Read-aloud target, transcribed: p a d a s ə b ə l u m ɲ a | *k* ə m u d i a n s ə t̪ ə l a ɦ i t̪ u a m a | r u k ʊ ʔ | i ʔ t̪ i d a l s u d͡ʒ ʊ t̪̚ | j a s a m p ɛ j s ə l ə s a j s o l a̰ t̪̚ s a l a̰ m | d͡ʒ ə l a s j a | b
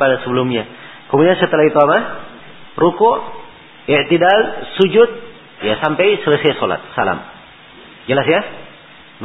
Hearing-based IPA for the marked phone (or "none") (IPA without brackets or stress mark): k